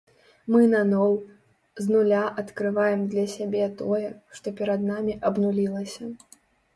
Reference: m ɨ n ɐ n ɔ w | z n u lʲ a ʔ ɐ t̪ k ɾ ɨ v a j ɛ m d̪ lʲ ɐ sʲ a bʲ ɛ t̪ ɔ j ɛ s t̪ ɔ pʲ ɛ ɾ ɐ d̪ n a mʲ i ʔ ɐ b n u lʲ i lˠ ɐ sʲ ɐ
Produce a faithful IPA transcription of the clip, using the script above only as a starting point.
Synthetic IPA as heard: m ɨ n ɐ n ɔ w | z n u lʲ a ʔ ɐ t̪ k ɾ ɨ v a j ɛ m d̪ lʲ ɐ sʲ a bʲ ɛ t̪ ɔ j ɛ ʂ t̪ ɔ pʲ ɛ ɾ ɐ d̪ n a mʲ i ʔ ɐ b n u lʲ i lˠ ɐ sʲ ɐ